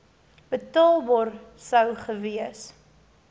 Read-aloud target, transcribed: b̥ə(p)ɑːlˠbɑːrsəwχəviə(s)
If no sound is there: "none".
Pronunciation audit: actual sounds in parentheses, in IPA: t, s

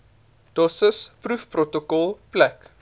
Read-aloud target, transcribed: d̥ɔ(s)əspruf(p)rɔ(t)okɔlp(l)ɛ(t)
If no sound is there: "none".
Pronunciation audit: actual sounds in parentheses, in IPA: s, p, t, l, k

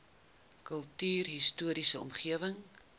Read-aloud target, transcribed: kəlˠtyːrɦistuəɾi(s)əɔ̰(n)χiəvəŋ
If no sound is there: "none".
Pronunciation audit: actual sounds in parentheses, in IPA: s, m

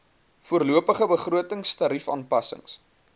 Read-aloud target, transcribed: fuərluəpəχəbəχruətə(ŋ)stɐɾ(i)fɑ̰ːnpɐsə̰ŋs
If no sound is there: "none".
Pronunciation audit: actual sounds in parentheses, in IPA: ŋ, i

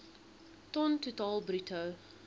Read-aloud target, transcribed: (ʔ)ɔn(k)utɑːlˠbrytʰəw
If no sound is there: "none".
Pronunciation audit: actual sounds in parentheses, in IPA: t, t

